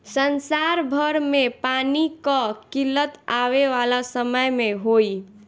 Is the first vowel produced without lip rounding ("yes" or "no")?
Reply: yes